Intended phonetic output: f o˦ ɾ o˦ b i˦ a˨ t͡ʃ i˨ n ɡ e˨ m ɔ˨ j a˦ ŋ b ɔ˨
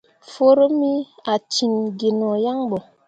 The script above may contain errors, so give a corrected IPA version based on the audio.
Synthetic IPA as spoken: f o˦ ɾ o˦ m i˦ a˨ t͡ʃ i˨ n ɡ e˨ n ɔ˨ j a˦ ŋ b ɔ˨